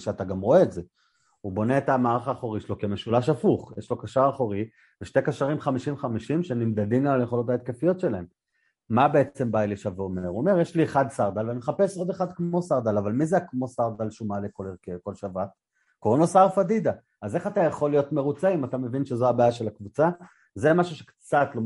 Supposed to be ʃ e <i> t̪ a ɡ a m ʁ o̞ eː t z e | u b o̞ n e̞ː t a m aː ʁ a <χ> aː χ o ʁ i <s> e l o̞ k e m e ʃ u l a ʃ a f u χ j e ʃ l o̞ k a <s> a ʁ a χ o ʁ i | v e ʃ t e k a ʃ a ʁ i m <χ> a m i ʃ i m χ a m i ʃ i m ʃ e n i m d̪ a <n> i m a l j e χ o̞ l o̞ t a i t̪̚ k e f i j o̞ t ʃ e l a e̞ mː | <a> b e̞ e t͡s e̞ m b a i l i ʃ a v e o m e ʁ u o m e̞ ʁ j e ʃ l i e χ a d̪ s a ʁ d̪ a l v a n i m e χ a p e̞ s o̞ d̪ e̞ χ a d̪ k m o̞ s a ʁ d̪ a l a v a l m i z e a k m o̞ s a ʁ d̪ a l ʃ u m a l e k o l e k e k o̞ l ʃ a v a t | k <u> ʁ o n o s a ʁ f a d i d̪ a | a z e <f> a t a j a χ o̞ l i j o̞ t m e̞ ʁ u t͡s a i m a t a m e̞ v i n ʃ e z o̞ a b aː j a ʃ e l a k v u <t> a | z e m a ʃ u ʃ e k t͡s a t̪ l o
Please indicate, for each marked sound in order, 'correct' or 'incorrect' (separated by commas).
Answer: incorrect, correct, incorrect, incorrect, correct, incorrect, correct, incorrect, incorrect, incorrect